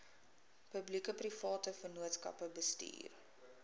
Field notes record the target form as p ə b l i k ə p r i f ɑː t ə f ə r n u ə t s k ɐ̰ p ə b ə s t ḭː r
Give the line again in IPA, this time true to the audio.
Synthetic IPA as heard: p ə b l i k ə p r i f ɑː t ə f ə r n u ə t s k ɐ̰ p ə b ə s t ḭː r